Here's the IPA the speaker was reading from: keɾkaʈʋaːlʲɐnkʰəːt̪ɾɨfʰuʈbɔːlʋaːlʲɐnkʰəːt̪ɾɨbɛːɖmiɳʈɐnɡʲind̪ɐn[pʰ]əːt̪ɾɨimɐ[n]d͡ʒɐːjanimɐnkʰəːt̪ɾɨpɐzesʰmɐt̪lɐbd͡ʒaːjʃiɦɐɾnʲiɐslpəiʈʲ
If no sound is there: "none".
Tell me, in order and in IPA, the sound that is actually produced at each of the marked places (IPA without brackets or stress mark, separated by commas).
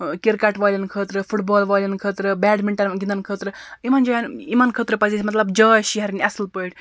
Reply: kʰ, n